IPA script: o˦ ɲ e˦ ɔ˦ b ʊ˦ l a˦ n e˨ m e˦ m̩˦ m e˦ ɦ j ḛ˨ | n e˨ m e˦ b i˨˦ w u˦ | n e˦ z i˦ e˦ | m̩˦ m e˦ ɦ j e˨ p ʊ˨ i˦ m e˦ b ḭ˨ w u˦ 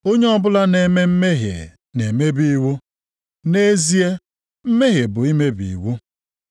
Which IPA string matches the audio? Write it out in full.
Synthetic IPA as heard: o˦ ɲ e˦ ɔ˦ b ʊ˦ l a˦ n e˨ m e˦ m̩˦ m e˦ ɦ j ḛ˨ | n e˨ m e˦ b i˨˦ w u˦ | n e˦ z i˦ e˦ | m̩˦ m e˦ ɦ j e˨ b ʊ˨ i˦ m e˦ b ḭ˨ w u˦